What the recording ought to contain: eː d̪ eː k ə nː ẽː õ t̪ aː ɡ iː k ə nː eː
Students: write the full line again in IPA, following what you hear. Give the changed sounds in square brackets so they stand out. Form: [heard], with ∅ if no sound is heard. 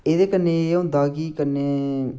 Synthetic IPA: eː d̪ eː k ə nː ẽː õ [d̪] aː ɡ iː k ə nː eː